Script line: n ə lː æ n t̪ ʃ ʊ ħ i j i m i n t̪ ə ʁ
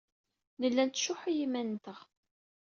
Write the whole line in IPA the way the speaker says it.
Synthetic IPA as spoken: n ə lː æ n t̪ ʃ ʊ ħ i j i m æ n t̪ ə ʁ